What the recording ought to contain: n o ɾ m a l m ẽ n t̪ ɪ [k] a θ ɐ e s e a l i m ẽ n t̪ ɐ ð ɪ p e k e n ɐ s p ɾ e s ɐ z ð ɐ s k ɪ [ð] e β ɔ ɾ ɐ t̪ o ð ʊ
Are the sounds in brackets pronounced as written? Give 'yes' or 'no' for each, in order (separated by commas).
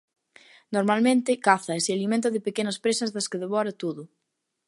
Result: yes, yes